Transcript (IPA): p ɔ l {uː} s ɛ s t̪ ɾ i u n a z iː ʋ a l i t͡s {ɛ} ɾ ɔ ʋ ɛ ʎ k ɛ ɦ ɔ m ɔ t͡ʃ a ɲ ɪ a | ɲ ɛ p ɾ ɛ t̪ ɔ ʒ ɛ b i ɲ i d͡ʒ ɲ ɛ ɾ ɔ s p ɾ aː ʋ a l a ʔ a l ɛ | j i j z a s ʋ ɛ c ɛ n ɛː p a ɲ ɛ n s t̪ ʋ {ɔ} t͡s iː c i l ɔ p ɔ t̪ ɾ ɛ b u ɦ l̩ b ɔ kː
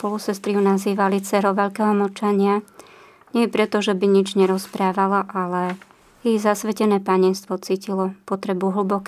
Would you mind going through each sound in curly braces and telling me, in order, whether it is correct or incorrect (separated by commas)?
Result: incorrect, correct, correct